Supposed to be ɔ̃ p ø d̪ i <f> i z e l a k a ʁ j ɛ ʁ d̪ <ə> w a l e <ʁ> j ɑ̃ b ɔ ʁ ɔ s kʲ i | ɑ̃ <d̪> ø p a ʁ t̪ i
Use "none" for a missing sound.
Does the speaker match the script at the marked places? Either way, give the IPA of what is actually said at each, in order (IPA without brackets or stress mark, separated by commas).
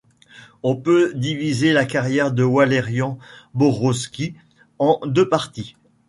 v, ə, ʁ, d̪